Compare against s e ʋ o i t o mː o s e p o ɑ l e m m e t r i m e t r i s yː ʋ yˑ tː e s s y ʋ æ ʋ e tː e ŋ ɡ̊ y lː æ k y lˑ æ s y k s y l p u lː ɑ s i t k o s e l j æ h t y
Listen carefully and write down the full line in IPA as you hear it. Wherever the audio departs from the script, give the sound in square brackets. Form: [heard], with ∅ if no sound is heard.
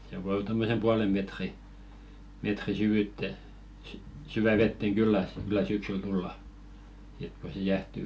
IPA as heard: s e ʋ o i t o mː o s e p [u] ɑ l e m m e t r i m e t r i s [y] ʋ yˑ tː e s s y ʋ æ ʋ e tː e ŋ ɡ̊ y lː æ k y lˑ æ s y k s y l [t] u lː ɑ s i t k o s e [∅] j æ h t y